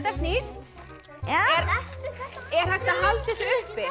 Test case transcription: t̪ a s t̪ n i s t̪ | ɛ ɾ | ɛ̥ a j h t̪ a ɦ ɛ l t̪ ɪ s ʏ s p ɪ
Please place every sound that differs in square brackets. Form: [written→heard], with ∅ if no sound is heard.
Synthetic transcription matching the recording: t̪ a s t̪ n i s t̪ | ɛ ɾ | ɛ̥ a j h t̪ a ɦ [ɛ→a] l t̪ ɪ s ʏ [s→h] p ɪ